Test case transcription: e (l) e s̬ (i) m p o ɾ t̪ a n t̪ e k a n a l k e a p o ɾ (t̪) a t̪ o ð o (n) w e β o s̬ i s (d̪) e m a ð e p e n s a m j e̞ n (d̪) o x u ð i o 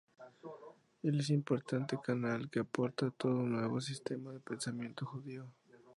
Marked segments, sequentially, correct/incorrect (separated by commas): correct, correct, correct, correct, incorrect, incorrect